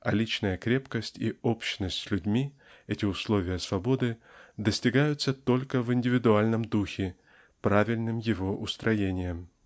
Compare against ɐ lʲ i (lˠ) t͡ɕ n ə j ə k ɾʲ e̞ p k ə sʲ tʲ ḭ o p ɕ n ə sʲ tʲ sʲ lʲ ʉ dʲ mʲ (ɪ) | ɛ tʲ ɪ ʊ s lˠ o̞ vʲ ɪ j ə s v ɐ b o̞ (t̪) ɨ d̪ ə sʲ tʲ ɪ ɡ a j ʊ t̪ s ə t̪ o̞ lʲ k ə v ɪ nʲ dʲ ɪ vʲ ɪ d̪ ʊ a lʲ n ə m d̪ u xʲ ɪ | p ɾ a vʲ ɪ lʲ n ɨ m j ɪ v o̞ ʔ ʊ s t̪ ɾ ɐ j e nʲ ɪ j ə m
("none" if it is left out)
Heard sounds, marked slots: none, i, d̪

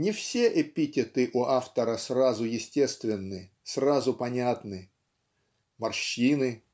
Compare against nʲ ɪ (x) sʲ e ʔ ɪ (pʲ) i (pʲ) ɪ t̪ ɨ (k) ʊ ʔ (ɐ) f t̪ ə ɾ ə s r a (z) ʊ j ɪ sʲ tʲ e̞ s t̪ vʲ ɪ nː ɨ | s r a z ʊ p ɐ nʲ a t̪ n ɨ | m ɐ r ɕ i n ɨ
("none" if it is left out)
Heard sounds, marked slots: f, pʲ, tʲ, ʔ, a, z

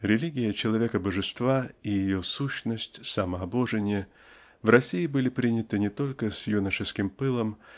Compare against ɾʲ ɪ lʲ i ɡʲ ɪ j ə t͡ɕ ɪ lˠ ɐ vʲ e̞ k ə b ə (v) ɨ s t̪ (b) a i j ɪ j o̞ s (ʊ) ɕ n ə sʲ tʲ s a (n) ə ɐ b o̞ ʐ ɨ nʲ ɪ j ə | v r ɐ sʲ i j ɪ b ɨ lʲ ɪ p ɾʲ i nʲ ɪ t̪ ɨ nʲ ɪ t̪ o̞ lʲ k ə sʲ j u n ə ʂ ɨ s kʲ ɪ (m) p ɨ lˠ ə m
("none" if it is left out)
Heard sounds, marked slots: ʐ, v, u, m, m

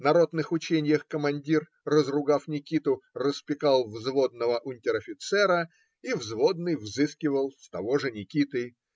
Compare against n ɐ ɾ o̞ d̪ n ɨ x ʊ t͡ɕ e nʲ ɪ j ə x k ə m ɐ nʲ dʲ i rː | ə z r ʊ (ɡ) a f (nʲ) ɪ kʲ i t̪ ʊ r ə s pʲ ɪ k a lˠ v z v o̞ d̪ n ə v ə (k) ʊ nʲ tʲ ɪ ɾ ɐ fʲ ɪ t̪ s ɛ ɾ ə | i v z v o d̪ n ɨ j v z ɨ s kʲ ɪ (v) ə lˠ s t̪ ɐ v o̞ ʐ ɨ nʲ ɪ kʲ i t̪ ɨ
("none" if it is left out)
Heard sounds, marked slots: ɡ, nʲ, ʔ, v

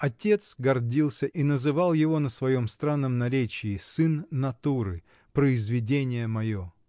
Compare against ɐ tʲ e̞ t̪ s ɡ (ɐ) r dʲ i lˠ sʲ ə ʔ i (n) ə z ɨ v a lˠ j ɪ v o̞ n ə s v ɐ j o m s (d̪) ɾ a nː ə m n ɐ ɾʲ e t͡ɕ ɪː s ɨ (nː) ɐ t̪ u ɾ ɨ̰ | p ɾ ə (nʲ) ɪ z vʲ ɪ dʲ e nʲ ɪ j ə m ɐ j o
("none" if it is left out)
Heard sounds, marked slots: ɐ, n, t̪, nː, none

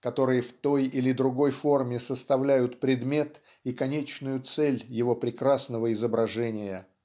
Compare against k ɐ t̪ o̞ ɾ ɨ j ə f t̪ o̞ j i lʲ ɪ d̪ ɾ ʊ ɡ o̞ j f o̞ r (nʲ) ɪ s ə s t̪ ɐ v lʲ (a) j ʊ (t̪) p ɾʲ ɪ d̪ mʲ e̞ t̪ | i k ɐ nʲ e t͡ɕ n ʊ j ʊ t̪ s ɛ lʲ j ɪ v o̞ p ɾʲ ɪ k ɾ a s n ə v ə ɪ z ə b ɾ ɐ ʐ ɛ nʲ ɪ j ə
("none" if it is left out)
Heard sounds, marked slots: mʲ, æ, t̪

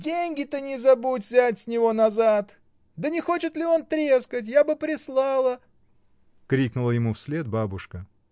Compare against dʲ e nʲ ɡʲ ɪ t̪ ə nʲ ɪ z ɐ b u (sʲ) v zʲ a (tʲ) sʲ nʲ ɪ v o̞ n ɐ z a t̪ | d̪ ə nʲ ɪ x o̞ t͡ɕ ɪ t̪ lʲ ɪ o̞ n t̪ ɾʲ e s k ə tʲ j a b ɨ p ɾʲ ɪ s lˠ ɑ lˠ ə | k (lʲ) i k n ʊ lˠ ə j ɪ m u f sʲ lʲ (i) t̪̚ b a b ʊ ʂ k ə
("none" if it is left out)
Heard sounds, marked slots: tʲ, tʲ, ɾʲ, e

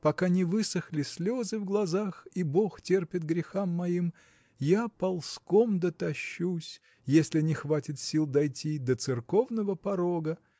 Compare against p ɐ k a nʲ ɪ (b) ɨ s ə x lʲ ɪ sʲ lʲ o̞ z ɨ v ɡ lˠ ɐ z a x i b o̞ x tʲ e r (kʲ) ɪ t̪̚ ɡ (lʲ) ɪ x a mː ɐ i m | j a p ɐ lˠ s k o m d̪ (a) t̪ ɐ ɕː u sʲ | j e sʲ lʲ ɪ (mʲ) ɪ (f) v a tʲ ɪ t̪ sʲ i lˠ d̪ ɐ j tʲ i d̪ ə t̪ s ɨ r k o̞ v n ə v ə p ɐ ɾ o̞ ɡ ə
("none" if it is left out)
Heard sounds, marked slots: v, pʲ, ɾʲ, ə, nʲ, x

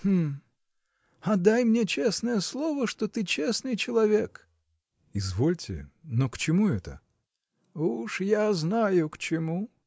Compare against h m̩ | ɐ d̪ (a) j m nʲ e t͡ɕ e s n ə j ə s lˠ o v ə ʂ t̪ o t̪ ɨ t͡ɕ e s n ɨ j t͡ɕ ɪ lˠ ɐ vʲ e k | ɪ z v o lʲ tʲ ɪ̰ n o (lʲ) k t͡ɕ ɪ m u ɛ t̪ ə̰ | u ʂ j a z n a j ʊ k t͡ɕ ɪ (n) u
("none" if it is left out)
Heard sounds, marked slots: a, none, m

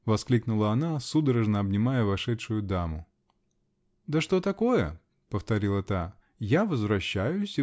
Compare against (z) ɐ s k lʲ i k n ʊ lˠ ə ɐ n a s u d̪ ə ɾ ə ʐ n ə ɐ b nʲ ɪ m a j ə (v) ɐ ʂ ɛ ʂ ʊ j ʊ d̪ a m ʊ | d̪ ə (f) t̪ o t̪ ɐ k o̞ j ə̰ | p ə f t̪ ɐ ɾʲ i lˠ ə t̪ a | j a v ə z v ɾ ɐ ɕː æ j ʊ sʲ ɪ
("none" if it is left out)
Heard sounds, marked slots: v, v, ʂ

